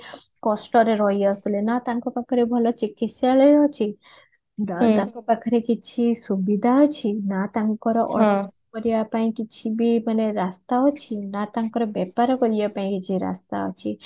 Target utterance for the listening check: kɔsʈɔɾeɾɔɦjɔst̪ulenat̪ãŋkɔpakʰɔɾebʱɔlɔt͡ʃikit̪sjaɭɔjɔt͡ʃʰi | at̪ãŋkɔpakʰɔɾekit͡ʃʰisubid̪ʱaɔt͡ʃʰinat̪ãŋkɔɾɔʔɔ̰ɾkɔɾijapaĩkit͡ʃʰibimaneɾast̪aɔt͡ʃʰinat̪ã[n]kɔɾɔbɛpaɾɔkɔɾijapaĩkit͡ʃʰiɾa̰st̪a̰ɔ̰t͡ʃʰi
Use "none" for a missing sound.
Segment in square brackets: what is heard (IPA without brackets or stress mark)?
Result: ŋ